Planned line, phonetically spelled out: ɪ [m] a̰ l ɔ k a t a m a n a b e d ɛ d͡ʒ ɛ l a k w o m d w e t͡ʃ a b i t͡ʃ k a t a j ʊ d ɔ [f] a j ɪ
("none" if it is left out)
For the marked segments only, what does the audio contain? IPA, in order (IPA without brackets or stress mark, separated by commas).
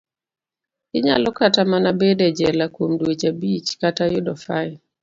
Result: ɲ, f